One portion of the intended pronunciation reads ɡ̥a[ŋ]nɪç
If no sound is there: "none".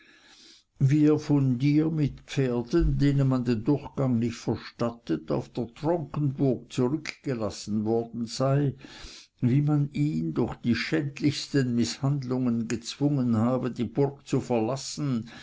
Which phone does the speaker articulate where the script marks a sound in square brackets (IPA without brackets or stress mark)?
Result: ŋ